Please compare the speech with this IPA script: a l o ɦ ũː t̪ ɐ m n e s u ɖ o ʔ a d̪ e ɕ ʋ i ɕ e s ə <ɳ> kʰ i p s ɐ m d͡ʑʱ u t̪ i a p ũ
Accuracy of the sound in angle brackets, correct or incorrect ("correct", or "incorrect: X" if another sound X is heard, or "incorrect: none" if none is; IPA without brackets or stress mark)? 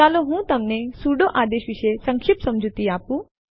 incorrect: ŋ